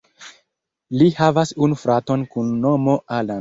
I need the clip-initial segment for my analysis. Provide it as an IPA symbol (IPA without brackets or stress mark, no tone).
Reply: l